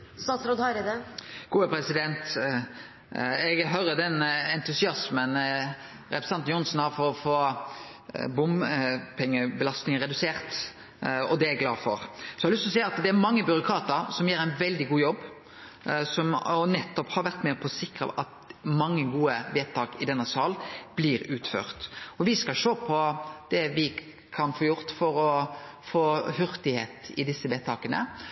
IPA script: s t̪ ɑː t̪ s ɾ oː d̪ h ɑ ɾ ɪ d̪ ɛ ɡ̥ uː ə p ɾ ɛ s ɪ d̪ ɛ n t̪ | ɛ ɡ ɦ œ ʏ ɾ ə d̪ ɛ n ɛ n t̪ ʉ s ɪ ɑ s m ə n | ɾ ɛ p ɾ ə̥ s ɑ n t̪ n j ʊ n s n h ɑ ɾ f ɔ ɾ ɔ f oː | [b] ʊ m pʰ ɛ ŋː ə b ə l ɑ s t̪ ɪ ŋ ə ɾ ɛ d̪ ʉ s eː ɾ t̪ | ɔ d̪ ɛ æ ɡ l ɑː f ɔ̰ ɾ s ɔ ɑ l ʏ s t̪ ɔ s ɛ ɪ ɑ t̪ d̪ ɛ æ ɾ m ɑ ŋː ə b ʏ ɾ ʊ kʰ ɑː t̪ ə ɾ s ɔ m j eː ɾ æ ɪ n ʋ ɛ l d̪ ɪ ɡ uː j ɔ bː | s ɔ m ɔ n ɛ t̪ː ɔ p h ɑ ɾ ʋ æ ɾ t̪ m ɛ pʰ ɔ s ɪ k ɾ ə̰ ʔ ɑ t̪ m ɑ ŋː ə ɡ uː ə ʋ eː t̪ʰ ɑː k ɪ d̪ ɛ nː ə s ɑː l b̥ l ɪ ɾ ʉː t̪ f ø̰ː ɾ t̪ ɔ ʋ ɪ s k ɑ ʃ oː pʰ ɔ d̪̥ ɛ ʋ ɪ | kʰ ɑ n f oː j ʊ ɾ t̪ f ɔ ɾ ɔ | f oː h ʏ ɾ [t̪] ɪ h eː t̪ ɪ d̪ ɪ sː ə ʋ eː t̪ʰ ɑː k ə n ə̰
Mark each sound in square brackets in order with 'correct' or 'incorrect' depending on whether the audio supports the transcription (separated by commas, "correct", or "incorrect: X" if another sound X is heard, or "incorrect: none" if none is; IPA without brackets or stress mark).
correct, correct